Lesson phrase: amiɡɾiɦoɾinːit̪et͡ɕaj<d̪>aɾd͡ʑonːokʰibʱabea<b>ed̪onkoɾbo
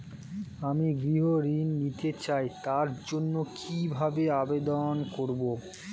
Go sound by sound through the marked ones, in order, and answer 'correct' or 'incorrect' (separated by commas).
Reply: incorrect, correct